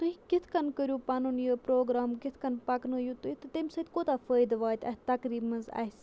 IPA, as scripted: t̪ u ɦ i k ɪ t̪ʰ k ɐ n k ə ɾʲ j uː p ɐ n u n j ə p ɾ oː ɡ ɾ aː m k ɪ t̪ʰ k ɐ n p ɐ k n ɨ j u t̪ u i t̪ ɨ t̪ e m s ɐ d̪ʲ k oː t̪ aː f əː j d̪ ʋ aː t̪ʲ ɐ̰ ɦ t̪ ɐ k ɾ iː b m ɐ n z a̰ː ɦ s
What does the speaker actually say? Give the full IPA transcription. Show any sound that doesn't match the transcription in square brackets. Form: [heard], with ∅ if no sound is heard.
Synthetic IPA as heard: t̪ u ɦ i k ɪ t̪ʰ k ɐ n k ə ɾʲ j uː p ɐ n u n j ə p ɾ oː ɡ ɾ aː m k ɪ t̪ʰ k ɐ n p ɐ k n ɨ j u t̪ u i t̪ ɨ t̪ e m s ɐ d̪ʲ k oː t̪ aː f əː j d̪ ʋ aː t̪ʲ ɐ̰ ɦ t̪ ɐ k ɾ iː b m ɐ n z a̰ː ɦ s